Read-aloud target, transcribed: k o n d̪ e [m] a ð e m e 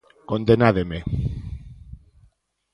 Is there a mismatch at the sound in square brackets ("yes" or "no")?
yes